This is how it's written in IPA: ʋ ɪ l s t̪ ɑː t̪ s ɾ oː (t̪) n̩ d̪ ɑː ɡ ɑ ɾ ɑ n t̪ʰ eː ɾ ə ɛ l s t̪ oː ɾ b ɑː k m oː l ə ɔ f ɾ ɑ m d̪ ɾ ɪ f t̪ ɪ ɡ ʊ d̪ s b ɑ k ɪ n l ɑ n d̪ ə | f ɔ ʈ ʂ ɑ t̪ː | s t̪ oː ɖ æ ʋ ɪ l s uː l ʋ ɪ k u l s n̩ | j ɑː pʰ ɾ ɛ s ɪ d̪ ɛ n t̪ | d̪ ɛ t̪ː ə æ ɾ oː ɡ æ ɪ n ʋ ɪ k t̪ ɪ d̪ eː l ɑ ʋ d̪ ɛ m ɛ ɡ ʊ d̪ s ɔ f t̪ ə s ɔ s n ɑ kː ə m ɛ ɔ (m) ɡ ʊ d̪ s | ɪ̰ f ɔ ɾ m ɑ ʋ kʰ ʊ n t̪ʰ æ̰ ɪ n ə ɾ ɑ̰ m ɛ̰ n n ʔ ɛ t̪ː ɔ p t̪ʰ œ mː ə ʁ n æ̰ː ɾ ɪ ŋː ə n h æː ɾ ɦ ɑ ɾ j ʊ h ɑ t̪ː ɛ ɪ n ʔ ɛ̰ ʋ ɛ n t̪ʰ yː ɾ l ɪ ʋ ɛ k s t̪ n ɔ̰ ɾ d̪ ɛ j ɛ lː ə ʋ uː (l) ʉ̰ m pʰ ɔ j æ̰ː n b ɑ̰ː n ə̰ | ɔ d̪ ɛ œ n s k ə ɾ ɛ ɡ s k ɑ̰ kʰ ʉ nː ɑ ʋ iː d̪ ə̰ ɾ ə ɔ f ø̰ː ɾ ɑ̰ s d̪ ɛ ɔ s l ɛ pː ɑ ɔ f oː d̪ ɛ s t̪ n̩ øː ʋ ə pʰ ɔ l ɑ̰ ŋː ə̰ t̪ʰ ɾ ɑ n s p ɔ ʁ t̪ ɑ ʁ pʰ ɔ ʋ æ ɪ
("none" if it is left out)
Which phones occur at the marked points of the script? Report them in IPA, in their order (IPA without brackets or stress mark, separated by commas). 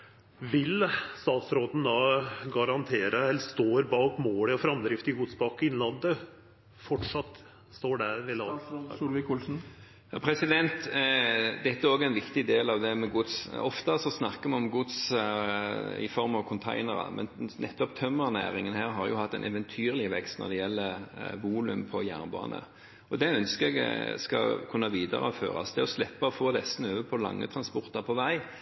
d̪, m, l